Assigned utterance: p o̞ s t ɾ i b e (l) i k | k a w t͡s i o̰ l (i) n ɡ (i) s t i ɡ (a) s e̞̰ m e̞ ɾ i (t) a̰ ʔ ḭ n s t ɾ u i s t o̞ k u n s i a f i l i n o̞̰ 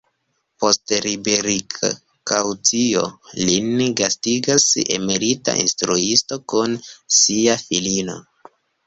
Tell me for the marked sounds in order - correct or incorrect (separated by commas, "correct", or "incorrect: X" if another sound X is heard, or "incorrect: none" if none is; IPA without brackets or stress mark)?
incorrect: ɾ, correct, incorrect: a, correct, correct